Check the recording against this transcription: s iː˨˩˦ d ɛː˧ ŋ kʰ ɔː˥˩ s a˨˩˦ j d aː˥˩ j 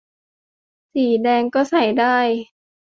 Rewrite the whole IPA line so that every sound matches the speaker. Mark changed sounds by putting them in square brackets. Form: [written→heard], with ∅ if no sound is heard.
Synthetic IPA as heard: s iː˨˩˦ d ɛː˧ ŋ [kʰ→k] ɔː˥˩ s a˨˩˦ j d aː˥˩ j